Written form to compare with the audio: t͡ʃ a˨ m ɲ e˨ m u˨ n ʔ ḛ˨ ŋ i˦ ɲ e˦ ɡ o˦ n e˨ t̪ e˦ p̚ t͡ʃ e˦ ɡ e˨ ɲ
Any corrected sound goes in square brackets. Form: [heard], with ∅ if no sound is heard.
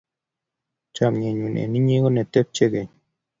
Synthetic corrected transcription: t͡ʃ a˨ m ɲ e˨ [ɲ] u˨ n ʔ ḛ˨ [n] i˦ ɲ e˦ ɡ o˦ n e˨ t̪ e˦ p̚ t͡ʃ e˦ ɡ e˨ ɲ